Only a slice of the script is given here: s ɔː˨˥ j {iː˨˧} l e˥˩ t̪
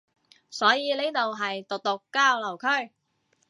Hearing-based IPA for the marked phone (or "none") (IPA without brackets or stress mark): iː˨˧